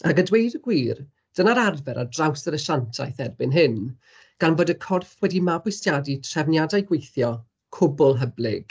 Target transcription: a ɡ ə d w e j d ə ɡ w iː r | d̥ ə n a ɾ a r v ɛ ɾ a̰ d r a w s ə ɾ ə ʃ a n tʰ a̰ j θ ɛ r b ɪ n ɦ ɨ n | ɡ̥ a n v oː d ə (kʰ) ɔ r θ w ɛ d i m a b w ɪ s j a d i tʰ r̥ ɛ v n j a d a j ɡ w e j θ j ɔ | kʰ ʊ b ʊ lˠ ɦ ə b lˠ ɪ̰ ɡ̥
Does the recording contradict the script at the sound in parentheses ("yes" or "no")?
no